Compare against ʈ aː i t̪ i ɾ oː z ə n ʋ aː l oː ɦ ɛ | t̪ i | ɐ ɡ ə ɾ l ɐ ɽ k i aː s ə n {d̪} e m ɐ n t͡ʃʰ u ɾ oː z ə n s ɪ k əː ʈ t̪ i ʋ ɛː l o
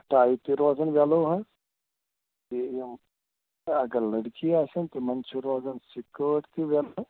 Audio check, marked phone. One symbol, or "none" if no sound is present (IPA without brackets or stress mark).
t̪